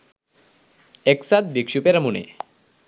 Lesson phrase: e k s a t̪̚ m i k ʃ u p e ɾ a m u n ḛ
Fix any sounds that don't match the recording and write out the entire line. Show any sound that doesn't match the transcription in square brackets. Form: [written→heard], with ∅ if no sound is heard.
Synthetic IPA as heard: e k s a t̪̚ [m→b] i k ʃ u p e ɾ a m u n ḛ